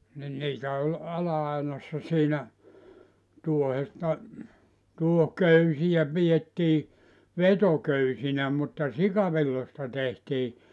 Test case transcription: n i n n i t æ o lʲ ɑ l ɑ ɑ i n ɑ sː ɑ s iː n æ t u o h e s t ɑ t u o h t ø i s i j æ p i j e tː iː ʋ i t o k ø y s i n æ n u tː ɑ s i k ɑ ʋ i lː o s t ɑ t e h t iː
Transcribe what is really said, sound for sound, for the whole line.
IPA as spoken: n i n n iː t æ o lʲ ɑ l ɑ ɑ i n ɑ sː ɑ s iː n æ t u o h e s t ɑ t u o h k ø y s i j æ p i j e tː iː ʋ e t o k ø y s i n æ m u tː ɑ s i k ɑ ʋ i lː o s t ɑ t e h t iː